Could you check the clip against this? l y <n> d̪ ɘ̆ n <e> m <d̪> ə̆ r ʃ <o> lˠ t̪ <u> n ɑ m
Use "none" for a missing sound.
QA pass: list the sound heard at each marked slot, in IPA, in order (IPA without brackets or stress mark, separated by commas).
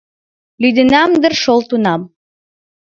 none, æ, d̪, o, u